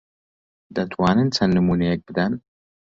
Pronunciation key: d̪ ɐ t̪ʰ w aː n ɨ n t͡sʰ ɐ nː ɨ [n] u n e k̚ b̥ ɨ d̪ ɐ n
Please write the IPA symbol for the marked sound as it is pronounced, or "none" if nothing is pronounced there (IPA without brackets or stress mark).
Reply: m